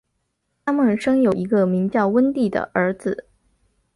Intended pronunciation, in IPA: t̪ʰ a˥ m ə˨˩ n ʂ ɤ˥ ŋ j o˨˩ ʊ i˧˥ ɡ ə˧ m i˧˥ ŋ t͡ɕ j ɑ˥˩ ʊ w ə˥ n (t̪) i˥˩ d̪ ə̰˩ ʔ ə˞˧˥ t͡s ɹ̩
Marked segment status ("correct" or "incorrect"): correct